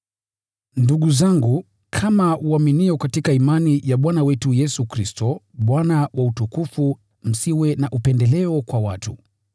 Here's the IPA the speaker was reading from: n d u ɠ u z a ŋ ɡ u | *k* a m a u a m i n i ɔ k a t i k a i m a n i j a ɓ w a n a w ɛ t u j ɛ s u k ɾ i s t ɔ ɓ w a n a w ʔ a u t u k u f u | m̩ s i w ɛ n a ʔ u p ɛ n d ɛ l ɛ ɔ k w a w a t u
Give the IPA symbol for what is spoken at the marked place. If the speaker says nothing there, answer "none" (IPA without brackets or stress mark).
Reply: kʰ